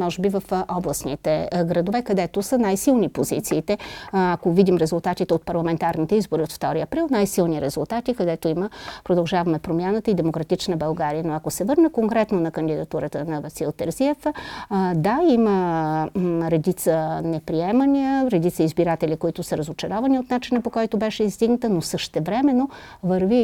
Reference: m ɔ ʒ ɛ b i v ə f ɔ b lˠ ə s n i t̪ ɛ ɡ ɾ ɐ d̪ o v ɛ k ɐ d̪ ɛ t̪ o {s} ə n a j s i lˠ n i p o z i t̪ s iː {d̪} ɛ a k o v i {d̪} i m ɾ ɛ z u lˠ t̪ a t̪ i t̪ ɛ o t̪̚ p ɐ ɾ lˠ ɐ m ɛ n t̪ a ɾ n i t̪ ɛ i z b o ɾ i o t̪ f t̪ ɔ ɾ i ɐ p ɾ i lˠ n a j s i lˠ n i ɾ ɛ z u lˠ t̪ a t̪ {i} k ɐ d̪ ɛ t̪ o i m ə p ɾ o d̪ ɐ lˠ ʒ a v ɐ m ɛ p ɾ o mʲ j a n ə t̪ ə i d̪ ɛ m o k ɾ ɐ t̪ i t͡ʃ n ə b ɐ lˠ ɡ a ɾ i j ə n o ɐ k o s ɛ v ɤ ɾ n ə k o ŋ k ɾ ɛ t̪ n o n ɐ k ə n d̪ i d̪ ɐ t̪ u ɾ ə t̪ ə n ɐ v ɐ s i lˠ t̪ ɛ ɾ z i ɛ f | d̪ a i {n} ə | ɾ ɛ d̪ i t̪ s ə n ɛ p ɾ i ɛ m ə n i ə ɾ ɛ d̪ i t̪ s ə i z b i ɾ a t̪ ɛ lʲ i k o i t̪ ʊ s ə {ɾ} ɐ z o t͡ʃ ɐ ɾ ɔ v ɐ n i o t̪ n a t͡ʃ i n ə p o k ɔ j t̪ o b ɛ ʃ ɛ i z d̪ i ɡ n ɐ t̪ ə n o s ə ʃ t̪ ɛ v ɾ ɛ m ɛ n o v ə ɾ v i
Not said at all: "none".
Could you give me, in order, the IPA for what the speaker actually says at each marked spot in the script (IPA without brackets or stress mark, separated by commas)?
s, t̪, d̪, i, m, ɾ